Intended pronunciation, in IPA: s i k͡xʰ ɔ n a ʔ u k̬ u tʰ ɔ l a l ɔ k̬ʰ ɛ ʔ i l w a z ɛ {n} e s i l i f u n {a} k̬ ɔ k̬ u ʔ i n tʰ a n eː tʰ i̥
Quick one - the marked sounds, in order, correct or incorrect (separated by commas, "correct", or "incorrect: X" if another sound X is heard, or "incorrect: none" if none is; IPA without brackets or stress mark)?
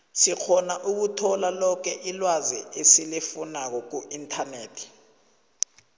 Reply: incorrect: none, correct